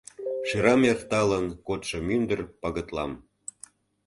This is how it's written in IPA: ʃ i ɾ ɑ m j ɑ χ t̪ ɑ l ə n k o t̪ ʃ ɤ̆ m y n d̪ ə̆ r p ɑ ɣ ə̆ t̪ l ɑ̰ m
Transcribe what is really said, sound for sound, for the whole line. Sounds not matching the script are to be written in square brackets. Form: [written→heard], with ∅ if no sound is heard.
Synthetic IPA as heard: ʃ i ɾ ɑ m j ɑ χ t̪ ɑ l ə n k o t̪ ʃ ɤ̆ m y n d̪ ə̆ r p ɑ ɣ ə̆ t̪ l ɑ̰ m